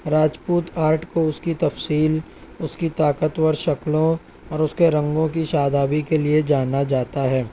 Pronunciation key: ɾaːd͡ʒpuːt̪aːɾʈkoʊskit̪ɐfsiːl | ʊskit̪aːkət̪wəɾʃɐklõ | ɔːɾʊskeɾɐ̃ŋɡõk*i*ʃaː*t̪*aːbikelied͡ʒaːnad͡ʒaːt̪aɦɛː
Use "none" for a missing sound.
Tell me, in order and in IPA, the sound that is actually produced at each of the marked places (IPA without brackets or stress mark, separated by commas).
i, d̪